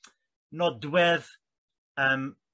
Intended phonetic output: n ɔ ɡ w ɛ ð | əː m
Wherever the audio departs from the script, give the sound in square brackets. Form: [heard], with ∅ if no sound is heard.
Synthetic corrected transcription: n ɔ [d] w ɛ ð | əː m